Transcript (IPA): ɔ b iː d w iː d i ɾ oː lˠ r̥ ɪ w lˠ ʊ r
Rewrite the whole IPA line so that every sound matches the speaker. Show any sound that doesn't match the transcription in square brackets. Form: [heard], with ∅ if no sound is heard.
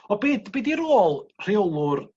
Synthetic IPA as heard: ɔ b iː d [b] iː d i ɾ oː lˠ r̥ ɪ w lˠ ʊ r